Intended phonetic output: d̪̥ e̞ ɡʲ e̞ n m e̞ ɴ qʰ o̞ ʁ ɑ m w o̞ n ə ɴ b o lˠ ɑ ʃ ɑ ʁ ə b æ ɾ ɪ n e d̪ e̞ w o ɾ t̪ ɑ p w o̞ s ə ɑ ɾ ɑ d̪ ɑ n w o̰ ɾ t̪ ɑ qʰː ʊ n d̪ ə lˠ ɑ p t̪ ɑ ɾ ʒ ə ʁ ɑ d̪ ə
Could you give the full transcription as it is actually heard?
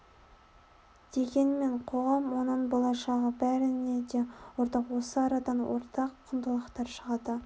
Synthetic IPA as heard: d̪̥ e̞ ɡʲ e̞ n m e̞ ɴ qʰ o̞ ʁ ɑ m w o̞ n ə ɴ b o lˠ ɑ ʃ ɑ ʁ ə b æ ɾ ɪ n e d̪ e̞ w o ɾ t̪ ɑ q w o̞ s ə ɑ ɾ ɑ d̪ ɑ n w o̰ ɾ t̪ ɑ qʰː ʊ n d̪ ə lˠ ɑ q t̪ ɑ ɾ ʃ ə ʁ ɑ d̪ ə